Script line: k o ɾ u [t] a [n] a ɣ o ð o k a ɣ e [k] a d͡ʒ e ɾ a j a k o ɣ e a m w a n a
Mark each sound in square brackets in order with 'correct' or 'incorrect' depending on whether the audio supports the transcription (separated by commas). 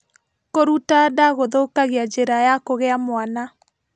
correct, incorrect, incorrect